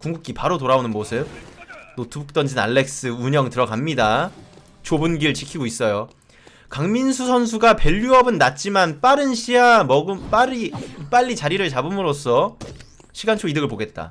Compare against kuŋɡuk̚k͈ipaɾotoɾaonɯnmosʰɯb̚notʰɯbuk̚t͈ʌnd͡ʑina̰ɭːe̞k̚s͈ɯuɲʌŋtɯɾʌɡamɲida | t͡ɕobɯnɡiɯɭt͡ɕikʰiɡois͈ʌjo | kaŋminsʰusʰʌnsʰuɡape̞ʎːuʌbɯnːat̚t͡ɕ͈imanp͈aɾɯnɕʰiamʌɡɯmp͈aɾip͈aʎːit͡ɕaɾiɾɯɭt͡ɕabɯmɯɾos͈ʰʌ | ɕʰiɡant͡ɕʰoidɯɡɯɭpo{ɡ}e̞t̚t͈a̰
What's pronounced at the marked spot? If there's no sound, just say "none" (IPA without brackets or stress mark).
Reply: ɡ